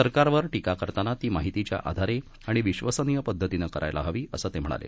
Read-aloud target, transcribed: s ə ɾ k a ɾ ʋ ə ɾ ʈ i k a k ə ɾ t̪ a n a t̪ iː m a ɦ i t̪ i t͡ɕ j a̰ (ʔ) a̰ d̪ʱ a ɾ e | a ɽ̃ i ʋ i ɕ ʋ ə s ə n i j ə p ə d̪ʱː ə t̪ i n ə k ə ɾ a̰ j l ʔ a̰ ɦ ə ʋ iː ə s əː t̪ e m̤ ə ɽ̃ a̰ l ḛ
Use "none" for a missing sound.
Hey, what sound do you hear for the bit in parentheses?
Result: ʔ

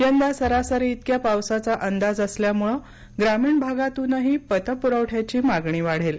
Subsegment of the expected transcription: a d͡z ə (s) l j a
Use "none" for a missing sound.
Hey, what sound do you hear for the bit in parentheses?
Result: s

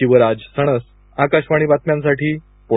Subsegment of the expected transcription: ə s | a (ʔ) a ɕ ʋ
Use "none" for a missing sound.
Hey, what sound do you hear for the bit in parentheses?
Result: k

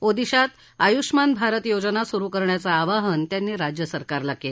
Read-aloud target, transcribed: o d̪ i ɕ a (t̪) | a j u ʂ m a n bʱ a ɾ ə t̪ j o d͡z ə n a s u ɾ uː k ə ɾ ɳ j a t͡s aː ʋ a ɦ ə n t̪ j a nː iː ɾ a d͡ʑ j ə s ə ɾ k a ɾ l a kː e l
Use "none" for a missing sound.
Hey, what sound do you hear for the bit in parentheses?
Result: t̪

